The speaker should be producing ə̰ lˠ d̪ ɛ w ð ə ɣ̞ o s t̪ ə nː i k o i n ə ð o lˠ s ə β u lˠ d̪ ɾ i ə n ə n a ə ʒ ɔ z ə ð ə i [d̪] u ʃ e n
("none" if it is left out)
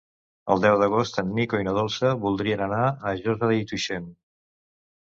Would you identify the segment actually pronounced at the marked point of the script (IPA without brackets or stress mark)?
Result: t̪